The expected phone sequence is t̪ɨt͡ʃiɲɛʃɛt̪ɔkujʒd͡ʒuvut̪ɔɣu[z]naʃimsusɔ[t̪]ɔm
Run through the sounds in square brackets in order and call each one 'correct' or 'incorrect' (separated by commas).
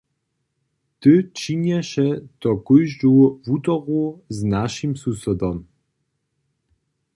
correct, incorrect